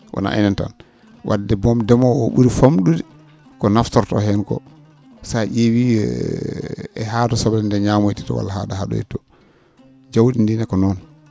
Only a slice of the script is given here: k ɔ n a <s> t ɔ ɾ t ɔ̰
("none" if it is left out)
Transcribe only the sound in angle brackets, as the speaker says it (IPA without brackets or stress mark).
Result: f